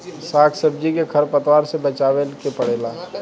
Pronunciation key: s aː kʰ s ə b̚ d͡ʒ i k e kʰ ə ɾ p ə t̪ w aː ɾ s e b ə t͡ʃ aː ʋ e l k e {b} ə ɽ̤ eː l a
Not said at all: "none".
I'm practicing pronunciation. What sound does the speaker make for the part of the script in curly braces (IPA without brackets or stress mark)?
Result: p